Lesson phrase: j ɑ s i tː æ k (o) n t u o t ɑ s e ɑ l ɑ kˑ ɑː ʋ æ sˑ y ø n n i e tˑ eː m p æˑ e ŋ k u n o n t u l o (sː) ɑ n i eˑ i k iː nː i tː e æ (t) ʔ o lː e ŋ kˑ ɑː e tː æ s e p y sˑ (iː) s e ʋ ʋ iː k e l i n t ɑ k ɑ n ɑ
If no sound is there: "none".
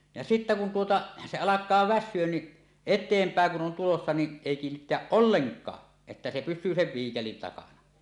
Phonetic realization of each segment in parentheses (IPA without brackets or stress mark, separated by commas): u, sː, ʔ, yː